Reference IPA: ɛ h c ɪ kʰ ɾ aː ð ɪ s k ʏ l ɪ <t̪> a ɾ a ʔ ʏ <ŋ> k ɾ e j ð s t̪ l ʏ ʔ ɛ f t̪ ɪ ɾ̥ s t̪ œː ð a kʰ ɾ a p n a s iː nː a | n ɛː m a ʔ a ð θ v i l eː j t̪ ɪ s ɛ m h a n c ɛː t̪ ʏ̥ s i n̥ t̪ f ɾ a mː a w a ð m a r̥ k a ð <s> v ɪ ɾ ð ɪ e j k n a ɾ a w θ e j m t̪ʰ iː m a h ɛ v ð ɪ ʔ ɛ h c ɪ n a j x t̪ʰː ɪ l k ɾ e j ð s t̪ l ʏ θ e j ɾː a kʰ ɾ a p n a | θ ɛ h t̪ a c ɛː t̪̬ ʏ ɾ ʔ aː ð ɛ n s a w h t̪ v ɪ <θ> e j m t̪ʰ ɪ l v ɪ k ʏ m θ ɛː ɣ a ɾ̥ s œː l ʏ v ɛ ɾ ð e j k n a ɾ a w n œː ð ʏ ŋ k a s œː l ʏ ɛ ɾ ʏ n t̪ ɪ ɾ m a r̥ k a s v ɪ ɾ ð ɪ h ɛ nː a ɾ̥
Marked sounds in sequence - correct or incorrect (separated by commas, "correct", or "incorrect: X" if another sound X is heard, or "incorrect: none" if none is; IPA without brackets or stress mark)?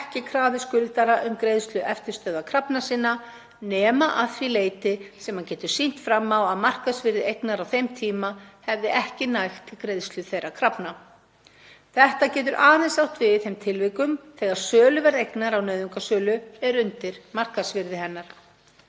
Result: correct, incorrect: m, correct, correct